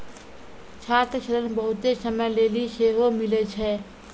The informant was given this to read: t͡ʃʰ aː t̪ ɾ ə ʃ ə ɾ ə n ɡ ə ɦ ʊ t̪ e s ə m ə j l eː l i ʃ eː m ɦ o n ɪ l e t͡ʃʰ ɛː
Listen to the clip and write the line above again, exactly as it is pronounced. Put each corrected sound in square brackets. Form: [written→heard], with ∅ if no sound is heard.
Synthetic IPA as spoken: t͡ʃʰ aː t̪ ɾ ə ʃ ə ɾ ə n [ɡ→b] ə ɦ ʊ t̪ e s ə m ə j l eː l i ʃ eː [m→∅] ɦ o [n→m] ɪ l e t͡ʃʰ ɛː